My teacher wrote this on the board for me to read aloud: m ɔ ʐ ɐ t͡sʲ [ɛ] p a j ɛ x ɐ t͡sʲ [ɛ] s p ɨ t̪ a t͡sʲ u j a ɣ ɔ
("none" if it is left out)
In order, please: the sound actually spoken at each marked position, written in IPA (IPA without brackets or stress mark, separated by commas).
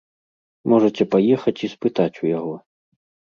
ɛ, i